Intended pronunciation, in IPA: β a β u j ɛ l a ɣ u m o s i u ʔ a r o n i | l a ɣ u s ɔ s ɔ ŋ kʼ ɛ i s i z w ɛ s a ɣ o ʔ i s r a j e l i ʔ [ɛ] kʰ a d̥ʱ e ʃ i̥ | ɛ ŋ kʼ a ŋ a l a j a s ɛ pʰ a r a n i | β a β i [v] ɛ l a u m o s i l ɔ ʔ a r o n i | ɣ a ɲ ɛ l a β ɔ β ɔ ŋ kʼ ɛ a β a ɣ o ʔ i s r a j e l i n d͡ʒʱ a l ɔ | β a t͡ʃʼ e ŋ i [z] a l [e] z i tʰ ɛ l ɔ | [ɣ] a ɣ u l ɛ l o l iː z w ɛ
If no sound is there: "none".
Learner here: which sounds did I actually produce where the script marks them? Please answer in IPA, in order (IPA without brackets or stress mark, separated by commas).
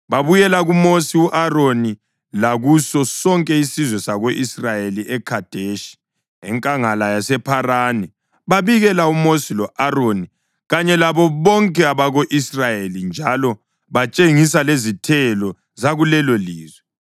ɛ, ɣ, s, e, z